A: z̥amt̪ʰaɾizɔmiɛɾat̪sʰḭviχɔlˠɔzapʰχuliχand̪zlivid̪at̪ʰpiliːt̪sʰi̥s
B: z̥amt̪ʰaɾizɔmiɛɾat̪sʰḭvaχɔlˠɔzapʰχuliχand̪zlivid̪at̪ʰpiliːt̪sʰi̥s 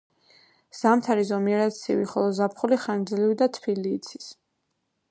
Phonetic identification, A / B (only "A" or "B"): A